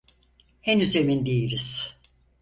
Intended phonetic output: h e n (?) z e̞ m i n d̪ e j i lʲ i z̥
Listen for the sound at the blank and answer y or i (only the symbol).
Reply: y